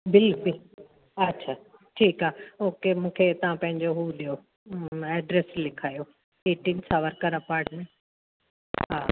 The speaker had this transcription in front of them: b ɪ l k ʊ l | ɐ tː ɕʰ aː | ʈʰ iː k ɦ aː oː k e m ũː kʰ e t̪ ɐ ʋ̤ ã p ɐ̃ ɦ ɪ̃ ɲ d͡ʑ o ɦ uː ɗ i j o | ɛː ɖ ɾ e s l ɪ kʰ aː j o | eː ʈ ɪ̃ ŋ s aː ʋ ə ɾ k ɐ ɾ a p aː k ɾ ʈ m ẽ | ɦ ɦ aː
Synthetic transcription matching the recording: b ɪ l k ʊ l | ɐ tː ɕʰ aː | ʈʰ iː k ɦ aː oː k e m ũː kʰ e t̪ ɐ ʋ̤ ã p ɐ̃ ɦ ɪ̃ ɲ d͡ʑ o ɦ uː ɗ i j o | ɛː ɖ ɾ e s l ɪ kʰ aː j o | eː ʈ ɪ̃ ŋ s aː ʋ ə ɾ k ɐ ɾ a p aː ɾ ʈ m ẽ | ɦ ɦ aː